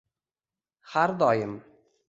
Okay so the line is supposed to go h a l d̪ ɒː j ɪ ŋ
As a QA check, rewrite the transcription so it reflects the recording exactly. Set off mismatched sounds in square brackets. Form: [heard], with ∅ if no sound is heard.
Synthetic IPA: h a [ɾ] d̪ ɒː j ɪ [m]